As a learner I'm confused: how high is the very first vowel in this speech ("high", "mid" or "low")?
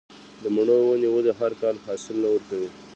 mid